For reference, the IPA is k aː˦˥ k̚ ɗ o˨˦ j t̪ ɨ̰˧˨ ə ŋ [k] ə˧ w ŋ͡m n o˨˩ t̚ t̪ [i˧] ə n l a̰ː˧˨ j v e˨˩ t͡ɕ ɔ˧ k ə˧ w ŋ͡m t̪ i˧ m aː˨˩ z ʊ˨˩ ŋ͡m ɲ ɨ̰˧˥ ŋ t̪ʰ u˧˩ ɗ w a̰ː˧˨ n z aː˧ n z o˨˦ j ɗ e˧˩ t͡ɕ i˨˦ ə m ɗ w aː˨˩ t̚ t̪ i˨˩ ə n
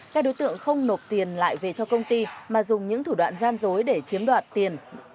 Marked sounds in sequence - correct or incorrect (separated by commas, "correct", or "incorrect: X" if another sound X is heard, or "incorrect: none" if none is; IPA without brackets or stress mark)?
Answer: incorrect: x, incorrect: i˨˩